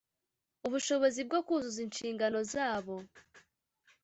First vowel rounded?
yes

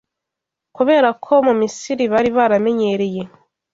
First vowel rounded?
yes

